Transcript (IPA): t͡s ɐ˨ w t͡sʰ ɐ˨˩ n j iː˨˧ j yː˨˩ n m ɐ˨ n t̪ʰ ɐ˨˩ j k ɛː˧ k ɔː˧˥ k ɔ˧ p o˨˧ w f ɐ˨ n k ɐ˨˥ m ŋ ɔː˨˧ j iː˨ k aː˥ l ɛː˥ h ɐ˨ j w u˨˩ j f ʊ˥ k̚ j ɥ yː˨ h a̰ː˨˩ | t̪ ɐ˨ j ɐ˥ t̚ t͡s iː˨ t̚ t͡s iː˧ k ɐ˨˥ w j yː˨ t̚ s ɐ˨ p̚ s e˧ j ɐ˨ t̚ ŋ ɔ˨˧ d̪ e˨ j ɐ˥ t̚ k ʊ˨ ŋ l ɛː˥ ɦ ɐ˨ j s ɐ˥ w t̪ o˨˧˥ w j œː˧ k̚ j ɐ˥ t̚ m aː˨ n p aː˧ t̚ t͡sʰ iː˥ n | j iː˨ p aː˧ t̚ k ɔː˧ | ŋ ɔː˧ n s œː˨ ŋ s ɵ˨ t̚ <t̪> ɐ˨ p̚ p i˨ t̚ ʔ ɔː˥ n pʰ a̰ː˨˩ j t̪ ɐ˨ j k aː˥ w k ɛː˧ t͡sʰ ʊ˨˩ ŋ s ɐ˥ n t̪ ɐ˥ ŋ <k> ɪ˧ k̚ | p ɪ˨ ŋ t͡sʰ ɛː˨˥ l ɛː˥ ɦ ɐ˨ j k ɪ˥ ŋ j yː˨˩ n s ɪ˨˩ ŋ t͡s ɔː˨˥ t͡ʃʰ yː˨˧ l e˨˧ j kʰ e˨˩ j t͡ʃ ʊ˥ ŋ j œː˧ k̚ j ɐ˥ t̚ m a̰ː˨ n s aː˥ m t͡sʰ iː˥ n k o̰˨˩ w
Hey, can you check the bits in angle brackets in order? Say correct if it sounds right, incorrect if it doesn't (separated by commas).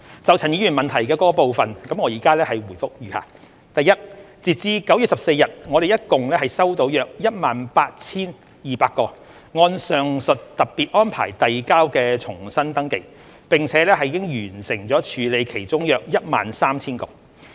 correct, correct